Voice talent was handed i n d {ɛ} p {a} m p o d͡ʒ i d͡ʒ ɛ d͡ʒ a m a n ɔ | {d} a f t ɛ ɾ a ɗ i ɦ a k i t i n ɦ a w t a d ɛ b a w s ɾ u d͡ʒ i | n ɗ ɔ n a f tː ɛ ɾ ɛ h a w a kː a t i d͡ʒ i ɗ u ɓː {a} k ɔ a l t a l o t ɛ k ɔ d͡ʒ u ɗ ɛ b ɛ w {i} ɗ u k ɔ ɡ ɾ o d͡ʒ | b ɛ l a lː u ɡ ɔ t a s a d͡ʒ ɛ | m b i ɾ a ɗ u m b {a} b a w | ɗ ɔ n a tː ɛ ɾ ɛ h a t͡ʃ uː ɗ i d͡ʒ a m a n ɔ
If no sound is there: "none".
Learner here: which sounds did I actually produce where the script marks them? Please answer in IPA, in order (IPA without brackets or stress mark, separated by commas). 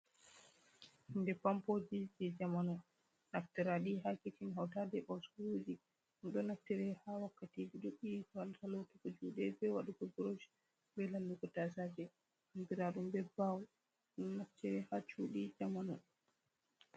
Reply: ɛ, a, n, i, a, ɛ